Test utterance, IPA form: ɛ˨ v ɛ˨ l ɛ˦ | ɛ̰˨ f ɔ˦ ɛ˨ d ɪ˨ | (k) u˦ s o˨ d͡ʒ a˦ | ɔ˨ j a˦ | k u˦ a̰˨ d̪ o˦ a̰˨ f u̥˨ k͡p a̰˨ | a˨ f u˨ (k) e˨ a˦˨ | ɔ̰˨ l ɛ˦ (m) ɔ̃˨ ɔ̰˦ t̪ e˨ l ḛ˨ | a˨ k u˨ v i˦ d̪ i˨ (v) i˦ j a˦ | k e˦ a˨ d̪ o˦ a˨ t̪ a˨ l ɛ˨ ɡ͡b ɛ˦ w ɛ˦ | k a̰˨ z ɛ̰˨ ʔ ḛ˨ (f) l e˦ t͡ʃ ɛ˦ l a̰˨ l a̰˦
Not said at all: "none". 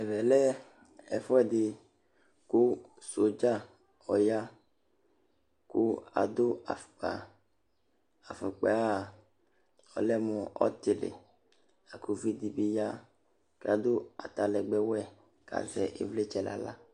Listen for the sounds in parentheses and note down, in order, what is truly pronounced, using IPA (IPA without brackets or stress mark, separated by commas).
k, k͡p, m, b, v